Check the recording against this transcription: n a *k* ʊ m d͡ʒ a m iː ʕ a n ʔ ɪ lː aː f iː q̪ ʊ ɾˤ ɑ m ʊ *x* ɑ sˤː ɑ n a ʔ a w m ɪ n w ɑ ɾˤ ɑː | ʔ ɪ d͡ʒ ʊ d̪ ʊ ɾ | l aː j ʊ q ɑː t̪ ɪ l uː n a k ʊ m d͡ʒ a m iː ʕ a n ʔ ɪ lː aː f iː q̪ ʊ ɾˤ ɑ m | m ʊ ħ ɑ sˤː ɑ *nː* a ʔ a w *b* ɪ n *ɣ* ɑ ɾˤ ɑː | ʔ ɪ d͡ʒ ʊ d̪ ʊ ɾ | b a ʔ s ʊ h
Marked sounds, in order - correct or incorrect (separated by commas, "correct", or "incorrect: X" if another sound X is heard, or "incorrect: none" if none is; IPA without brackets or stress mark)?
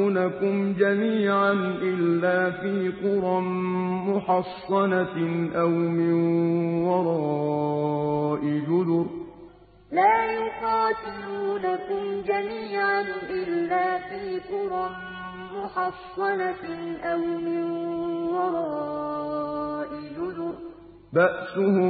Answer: correct, incorrect: ħ, incorrect: n, incorrect: m, incorrect: w